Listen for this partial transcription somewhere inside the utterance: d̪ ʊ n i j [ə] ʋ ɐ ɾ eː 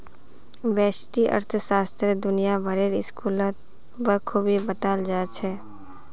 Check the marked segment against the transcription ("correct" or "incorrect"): incorrect